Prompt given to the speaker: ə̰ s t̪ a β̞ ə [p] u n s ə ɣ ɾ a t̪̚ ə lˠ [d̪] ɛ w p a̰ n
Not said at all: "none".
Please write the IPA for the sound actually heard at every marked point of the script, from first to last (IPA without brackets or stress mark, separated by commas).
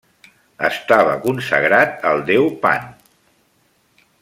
k, d̪